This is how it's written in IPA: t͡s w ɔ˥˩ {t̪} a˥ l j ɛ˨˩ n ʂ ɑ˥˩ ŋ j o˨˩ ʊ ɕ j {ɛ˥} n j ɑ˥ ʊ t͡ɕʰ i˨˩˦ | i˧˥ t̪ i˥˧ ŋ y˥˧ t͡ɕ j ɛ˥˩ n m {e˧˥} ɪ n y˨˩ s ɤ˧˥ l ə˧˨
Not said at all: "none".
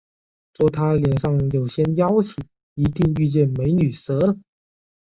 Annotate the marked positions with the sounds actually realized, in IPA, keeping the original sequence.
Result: t̪ʰ, ɛ˥, e˧˥

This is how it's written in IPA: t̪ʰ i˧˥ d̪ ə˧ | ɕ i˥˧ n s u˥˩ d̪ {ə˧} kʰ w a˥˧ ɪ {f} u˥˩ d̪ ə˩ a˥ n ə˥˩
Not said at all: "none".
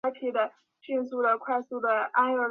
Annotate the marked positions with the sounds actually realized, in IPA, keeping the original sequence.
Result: ə˩, s

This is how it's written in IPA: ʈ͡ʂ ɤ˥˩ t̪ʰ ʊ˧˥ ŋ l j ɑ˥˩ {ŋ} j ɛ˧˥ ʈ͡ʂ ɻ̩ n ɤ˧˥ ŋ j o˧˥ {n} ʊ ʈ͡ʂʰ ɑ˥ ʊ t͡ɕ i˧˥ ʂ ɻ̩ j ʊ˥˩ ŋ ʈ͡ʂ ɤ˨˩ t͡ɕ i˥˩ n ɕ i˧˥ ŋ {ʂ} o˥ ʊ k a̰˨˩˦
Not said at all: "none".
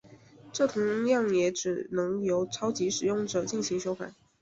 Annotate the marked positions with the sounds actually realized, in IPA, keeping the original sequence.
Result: ŋ, none, ʂ

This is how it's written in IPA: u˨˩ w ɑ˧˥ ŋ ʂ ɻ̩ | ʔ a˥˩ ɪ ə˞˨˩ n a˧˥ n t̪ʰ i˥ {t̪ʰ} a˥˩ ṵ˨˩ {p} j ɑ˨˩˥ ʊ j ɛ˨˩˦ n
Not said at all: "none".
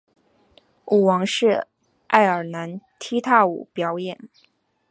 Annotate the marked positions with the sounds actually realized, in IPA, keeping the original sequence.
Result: t̪ʰ, p

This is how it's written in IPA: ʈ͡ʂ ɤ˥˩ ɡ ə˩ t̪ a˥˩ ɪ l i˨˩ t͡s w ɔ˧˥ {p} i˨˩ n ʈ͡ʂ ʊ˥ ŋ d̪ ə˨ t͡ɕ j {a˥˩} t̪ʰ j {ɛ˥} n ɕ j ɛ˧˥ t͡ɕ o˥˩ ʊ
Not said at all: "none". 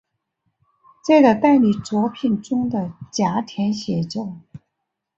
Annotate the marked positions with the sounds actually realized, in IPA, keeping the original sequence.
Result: pʰ, a˧˥, ɛ˧˥

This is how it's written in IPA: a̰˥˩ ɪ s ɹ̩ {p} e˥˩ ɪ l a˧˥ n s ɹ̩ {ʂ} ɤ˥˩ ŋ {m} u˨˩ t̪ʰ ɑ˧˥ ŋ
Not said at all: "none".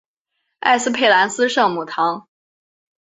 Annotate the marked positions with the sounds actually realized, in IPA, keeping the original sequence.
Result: pʰ, ʂ, m

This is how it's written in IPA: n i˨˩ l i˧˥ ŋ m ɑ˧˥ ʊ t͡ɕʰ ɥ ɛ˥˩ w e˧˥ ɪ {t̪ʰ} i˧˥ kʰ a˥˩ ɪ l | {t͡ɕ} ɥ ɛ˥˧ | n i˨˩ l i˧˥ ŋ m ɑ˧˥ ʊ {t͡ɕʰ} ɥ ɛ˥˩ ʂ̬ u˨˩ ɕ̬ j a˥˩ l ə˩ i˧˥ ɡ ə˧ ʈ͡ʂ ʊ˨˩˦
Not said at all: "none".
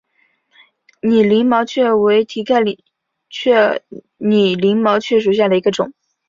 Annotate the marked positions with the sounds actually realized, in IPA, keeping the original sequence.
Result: t̪ʰ, t͡ɕʰ, t͡ɕʰ

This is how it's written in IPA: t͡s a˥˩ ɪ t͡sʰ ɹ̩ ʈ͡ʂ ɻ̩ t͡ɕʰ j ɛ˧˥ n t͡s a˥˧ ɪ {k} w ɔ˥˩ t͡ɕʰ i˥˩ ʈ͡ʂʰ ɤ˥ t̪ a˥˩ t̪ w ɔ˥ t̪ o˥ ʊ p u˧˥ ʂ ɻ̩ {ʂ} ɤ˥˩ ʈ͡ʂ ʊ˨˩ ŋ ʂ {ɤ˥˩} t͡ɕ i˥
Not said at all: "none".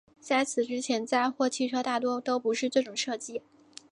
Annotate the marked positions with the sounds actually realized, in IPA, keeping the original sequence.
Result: x, ʈ͡ʂ, ɤ˥˩

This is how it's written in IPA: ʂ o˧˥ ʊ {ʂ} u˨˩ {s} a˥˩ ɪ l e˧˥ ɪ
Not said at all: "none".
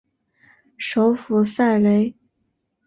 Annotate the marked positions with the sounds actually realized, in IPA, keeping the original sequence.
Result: f, s

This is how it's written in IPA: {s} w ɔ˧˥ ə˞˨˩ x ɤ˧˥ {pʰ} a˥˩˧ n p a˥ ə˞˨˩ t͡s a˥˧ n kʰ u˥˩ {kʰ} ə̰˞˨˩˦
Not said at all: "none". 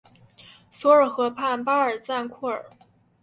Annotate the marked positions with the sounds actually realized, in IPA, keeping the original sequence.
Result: s, pʰ, none

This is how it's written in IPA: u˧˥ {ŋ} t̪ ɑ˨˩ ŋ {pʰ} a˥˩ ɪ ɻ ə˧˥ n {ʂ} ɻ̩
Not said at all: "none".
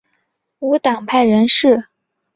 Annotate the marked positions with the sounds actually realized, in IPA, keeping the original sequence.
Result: none, pʰ, ʂ

